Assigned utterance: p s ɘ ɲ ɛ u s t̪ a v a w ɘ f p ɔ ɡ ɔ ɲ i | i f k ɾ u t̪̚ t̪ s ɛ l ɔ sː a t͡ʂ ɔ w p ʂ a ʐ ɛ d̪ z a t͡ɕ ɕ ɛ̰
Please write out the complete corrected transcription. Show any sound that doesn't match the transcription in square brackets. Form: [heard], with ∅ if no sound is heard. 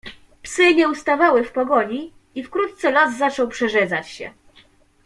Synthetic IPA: p s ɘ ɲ ɛ u s t̪ a v a w ɘ f p ɔ ɡ ɔ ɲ i | i f k ɾ u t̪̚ t̪ s ɛ l ɔ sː a t͡ʂ ɔ w p ʂ [ɛ] ʐ ɛ d̪ z a t͡ɕ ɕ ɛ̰